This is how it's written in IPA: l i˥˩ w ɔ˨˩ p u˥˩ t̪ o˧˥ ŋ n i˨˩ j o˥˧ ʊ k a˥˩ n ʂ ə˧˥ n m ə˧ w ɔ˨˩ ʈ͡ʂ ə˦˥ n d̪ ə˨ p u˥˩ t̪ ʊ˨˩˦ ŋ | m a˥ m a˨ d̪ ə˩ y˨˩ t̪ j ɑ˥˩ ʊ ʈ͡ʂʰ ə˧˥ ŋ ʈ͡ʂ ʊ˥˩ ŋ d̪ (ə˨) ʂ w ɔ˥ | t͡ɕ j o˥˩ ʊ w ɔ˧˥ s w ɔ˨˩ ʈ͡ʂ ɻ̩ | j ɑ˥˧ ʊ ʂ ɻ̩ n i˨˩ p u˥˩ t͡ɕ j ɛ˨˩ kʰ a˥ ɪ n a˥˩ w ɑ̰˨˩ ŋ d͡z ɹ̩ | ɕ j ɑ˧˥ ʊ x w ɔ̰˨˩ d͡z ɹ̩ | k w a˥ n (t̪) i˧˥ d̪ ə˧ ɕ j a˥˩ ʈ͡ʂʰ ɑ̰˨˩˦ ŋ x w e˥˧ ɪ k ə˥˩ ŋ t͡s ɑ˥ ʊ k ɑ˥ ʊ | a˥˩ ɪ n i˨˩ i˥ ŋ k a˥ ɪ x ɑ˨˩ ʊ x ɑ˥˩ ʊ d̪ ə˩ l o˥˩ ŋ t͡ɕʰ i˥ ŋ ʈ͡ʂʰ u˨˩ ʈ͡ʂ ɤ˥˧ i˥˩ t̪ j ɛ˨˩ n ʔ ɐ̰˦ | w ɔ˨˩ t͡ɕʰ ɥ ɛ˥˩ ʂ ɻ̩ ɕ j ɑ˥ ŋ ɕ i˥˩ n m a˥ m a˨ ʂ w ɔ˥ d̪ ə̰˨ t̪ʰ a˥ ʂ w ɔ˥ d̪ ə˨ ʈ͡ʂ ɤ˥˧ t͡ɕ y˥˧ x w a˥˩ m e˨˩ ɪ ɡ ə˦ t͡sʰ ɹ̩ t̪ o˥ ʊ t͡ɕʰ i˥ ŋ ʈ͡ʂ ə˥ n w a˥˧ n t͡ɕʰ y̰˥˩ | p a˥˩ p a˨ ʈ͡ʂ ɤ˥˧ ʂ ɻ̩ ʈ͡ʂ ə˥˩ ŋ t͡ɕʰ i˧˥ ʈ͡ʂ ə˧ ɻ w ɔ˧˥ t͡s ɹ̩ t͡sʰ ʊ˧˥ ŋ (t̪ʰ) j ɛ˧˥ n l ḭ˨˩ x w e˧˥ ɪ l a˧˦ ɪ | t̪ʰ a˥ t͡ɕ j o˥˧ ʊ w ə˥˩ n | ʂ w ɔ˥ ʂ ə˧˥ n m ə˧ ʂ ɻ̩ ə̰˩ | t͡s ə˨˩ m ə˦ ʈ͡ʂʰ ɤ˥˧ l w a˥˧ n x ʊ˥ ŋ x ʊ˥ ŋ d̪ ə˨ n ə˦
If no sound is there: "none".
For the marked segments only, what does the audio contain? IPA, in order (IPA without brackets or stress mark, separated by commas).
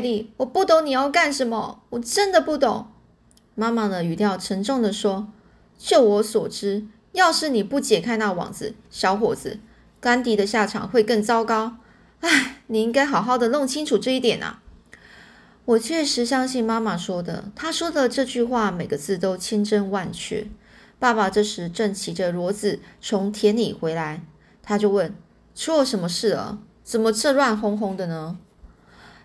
ə˨, t̪, t̪ʰ